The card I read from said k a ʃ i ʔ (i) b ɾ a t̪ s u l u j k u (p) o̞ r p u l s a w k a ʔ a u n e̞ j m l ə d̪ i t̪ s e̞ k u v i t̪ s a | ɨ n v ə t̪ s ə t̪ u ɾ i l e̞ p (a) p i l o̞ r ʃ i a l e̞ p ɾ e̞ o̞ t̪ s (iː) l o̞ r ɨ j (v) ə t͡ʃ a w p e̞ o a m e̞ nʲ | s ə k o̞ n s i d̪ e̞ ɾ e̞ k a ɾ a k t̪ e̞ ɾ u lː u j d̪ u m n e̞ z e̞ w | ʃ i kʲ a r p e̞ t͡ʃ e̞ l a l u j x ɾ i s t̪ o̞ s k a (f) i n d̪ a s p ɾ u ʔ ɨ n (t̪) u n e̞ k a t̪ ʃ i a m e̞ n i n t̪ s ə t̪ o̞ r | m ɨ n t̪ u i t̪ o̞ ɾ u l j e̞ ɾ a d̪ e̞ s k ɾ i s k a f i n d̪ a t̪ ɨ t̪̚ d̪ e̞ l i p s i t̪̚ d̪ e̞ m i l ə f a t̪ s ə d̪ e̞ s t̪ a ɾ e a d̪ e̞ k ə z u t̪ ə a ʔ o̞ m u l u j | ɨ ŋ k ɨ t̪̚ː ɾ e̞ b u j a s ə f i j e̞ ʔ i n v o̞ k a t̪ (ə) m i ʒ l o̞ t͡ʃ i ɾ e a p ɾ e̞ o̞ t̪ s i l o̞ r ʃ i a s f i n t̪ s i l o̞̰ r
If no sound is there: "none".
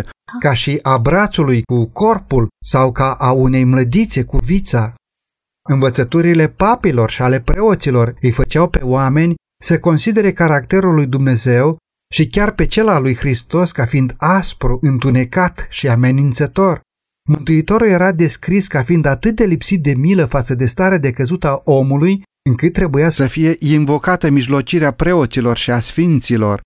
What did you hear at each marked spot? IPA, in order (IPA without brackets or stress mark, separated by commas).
a, k, a, i, f, f, t̪, ə